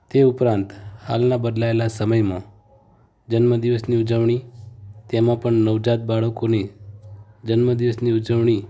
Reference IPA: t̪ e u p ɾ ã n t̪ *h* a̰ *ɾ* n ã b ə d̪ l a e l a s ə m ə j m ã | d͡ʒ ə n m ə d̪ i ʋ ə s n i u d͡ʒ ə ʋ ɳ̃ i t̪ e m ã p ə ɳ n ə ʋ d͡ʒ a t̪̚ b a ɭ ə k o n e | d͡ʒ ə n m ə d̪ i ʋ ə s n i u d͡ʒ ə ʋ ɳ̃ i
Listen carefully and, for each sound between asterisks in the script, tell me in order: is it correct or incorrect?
correct, incorrect: l

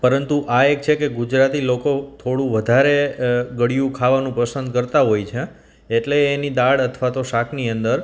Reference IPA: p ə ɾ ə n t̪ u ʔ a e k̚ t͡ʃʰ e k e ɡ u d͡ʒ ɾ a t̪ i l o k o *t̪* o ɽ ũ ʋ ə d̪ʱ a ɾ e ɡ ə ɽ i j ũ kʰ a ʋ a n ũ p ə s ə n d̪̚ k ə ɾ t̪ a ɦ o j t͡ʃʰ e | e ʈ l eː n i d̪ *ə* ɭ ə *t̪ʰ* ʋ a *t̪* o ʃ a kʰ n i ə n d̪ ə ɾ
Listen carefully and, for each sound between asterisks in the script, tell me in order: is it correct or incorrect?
incorrect: t̪ʰ, incorrect: a, correct, correct

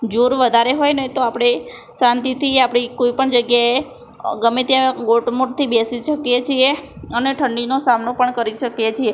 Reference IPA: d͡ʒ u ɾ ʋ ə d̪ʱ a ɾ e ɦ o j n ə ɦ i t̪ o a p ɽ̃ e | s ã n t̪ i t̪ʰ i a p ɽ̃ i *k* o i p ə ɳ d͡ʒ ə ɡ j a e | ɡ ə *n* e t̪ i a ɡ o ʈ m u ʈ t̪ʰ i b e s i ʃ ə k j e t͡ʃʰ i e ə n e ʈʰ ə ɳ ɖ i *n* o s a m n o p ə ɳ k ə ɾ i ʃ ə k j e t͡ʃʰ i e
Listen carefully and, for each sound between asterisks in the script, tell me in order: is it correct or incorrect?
correct, incorrect: m, correct

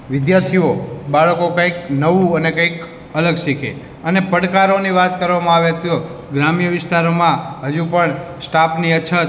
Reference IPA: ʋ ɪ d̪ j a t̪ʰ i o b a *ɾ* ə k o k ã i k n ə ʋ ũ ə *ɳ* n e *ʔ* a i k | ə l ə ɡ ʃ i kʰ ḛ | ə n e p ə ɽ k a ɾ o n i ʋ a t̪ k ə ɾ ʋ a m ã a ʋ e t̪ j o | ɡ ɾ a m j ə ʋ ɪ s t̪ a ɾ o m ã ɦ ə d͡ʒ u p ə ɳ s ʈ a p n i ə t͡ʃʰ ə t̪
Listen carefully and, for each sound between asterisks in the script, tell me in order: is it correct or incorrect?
incorrect: ɭ, incorrect: none, incorrect: k

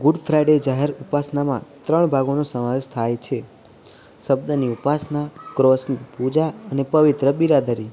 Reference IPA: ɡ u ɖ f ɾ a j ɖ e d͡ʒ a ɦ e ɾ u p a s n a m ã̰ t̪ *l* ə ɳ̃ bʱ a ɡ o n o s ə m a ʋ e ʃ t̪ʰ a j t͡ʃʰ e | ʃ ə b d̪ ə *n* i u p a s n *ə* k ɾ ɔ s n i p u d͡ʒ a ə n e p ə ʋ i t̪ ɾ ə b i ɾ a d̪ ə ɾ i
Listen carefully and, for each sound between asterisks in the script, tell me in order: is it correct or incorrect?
incorrect: ɾ, correct, incorrect: a

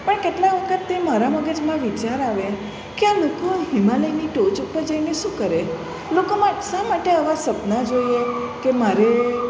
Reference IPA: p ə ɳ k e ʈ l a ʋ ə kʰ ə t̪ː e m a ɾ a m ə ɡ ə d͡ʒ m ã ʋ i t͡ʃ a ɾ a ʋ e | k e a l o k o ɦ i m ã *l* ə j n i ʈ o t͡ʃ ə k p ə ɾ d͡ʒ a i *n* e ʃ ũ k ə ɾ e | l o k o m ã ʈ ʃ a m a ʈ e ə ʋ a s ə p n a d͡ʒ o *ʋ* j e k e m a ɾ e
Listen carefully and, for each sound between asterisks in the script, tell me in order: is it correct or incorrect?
correct, correct, incorrect: none

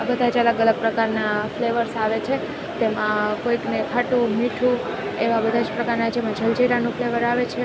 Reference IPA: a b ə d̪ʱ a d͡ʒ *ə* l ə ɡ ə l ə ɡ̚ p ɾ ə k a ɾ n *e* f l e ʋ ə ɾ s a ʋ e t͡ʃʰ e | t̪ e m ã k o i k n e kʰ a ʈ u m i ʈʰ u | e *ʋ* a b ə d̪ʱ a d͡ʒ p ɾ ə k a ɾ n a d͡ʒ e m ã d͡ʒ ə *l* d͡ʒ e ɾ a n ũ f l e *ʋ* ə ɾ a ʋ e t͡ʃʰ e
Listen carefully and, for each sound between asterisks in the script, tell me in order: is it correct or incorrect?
correct, incorrect: a, correct, correct, correct

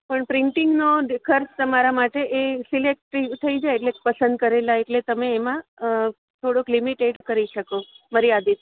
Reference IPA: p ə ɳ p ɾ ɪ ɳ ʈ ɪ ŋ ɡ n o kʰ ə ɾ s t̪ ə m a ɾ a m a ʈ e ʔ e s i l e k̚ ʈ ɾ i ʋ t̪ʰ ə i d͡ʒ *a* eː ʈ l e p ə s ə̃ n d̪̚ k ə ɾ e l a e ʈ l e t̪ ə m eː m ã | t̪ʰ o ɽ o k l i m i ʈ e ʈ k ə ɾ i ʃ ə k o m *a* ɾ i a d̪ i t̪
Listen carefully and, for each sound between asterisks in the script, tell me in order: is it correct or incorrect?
correct, incorrect: ə

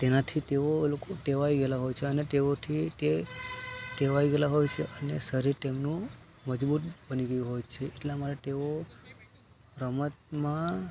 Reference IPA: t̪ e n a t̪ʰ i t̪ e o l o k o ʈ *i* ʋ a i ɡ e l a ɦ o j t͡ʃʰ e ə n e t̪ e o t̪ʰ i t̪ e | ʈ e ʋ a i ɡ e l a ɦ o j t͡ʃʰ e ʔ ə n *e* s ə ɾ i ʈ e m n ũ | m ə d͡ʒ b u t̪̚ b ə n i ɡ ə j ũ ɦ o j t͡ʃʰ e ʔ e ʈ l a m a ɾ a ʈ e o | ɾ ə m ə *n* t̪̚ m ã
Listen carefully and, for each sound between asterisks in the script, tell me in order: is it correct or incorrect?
incorrect: e, correct, incorrect: none

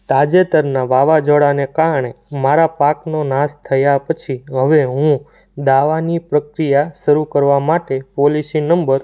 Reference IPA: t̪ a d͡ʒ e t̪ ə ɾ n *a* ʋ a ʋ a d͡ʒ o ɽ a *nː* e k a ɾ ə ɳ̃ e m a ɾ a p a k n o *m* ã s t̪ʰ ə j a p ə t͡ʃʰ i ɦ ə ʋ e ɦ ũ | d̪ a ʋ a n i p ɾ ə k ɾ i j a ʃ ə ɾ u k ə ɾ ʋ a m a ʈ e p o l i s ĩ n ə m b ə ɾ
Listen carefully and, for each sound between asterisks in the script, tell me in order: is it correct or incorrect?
correct, incorrect: n, incorrect: n

